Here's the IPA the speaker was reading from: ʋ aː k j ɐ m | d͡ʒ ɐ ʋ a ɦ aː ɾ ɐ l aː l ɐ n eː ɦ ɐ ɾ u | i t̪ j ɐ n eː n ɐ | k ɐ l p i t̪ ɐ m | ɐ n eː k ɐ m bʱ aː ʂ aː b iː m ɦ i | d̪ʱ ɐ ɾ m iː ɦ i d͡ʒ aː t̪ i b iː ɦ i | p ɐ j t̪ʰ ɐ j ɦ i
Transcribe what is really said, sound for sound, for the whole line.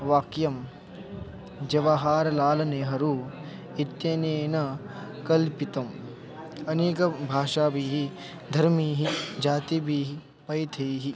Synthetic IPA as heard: ʋ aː k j ɐ m | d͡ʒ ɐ ʋ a ɦ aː ɾ ɐ l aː l ɐ n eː ɦ ɐ ɾ u | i t̪ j ɐ n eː n ɐ | k ɐ l p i t̪ ɐ m | ɐ n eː k ɐ bʱ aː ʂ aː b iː ɦ i | d̪ʱ ɐ ɾ m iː ɦ i d͡ʒ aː t̪ i b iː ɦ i | p ɐ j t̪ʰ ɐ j ɦ i